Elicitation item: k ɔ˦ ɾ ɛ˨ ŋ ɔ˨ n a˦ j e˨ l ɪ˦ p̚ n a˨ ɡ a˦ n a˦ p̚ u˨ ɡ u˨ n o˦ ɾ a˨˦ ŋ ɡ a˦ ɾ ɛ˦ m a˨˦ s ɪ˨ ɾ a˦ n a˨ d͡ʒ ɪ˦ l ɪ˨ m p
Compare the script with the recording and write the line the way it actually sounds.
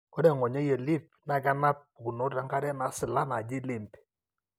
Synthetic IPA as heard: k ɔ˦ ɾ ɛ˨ ŋ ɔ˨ ɲ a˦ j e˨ l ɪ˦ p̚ n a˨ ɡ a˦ n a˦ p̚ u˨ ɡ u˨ n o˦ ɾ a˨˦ ŋ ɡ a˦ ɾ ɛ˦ n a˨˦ s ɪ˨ l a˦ n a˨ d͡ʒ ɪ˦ l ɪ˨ m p